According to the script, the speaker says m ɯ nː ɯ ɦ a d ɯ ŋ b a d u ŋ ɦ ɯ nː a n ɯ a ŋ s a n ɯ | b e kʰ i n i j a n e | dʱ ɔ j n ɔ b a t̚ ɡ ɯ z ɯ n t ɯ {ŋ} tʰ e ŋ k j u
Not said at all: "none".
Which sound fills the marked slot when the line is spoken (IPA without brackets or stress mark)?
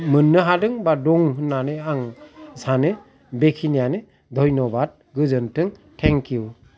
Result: ŋ